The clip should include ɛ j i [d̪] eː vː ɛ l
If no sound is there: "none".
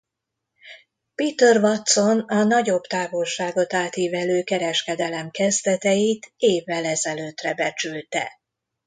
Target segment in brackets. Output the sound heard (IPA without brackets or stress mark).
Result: t̪